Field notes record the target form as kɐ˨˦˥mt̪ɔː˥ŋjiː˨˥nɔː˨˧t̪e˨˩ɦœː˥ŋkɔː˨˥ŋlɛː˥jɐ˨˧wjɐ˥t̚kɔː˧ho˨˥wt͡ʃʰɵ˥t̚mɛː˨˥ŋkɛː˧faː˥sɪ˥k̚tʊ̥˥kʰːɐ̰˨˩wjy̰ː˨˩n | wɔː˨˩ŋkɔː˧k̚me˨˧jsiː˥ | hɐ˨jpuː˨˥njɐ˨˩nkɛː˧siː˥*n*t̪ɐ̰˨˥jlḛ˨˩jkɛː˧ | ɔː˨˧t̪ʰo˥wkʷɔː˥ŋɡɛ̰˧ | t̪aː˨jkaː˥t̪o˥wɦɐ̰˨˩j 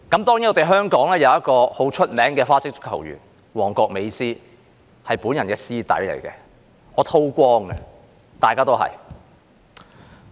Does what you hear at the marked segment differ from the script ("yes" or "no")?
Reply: yes